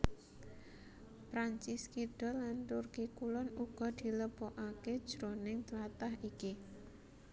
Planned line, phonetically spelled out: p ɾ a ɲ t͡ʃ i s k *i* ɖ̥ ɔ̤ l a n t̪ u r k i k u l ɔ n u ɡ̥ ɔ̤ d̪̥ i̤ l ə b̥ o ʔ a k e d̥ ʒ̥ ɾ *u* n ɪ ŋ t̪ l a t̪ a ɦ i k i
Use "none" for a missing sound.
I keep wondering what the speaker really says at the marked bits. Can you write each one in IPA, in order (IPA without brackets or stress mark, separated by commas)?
i, o